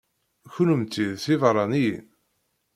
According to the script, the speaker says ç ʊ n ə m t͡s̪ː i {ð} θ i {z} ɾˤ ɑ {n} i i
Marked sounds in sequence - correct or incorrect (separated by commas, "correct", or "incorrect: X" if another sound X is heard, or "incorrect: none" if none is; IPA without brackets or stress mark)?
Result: correct, incorrect: v, correct